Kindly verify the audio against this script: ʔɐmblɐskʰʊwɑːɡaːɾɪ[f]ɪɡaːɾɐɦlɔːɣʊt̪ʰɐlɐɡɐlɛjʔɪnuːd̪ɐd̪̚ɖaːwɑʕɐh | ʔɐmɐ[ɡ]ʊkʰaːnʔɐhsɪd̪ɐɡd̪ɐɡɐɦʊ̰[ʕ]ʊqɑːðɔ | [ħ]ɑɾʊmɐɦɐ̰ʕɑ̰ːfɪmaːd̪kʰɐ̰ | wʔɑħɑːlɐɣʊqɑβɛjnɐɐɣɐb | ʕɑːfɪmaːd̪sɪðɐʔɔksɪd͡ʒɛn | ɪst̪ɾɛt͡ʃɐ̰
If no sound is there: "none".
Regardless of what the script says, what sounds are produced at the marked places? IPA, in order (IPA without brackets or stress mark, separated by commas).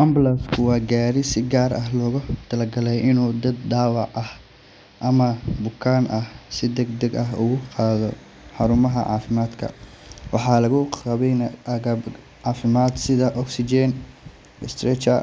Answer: s, b, ɣ, ħ